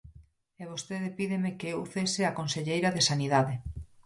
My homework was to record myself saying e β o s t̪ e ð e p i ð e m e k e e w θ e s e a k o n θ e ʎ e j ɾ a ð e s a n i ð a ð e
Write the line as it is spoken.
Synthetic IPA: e β o s t̪ e ð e p i ð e m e k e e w θ e s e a k o n s e ʎ e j ɾ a ð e s a n i ð a ð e